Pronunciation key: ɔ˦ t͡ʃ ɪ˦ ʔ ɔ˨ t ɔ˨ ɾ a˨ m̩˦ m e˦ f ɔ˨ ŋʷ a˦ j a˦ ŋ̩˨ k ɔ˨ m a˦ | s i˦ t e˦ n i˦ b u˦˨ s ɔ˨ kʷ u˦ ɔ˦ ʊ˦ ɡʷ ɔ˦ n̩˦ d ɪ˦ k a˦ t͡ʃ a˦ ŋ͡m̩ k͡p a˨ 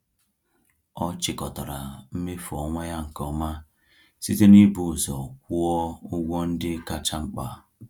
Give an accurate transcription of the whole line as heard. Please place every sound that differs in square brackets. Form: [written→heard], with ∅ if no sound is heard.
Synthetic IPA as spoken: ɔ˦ t͡ʃ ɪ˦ [ʔ→k] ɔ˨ t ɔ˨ ɾ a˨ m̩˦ m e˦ f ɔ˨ ŋʷ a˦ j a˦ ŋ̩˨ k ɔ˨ m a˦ | s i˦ t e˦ n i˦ b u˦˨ [s→z] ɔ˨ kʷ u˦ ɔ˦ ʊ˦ ɡʷ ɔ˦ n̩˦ d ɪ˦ k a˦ t͡ʃ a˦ ŋ͡m̩ k͡p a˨